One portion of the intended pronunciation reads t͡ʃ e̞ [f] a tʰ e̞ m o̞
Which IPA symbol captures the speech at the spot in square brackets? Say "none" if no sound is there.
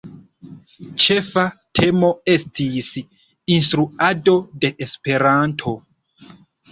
f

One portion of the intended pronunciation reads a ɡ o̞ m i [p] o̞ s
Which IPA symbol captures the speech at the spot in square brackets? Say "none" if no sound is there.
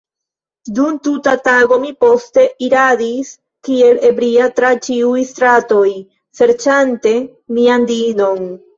p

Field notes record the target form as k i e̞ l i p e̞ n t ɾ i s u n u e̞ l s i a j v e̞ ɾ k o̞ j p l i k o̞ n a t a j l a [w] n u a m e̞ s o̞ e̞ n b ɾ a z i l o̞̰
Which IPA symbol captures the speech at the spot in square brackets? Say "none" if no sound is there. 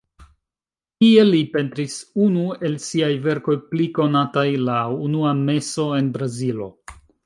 u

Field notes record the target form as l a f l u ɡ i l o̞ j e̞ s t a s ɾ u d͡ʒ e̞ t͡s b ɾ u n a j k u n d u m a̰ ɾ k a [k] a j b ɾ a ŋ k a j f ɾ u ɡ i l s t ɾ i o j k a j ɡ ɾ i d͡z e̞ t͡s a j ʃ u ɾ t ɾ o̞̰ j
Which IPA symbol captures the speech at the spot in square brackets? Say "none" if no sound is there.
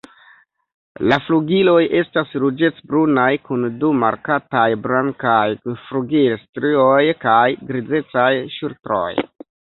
t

